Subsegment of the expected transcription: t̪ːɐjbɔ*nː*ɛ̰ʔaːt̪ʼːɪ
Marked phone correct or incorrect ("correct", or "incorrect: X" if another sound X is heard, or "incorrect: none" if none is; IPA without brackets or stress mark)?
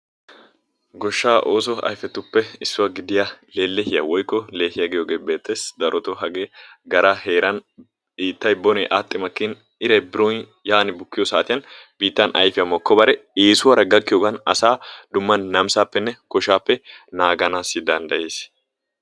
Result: incorrect: n